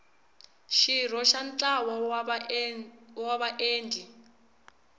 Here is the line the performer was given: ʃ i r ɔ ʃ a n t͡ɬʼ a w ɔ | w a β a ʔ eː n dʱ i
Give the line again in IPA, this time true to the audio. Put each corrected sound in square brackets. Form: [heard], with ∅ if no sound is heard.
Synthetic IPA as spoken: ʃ i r ɔ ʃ a n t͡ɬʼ a w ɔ | w a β a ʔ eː n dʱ i